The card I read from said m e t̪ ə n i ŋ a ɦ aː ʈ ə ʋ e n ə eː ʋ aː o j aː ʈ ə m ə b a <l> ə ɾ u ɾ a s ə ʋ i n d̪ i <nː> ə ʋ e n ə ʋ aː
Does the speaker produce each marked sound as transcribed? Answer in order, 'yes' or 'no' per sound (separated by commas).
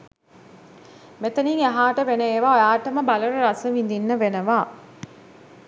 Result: yes, yes